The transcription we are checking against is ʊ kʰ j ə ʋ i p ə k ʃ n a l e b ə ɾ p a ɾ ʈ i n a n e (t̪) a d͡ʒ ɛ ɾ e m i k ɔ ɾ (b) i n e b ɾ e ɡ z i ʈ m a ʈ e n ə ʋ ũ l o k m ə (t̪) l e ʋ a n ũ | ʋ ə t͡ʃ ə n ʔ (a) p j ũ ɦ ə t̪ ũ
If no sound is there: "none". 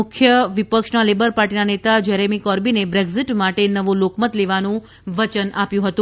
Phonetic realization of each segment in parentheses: t̪, b, t̪, a

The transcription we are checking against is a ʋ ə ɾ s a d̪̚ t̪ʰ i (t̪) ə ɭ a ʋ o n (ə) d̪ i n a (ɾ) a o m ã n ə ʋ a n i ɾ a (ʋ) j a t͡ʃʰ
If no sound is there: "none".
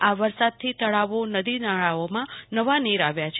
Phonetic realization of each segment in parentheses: t̪, ə, ɭ, ʋ

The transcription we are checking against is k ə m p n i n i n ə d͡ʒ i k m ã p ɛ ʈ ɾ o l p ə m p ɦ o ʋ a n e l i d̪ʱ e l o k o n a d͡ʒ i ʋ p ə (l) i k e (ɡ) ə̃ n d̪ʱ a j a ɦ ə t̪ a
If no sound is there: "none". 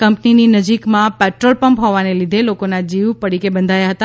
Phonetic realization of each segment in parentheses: ɽ, b

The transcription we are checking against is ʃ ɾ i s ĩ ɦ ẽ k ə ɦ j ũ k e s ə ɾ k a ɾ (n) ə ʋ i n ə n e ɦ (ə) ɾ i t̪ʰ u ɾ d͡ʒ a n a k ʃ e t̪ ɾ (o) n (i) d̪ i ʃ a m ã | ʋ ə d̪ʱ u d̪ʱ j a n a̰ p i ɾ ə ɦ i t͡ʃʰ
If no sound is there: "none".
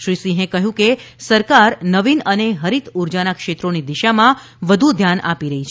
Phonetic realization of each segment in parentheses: n, ə, o, i

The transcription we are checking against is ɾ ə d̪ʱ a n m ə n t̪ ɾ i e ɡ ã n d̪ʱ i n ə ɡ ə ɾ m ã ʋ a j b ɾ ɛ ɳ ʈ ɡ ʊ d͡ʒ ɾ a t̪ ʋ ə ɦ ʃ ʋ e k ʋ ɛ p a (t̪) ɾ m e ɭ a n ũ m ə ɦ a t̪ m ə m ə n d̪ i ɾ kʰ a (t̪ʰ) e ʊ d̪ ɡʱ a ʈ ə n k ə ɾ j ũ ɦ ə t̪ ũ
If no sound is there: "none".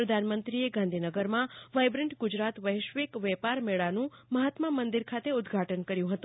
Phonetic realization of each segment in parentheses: none, t̪

